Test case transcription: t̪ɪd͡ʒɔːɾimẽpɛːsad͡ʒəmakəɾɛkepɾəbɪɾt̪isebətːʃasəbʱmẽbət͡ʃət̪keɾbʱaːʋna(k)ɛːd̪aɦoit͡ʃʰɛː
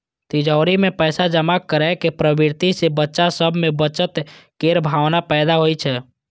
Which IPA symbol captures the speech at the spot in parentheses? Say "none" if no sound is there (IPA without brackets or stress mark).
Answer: p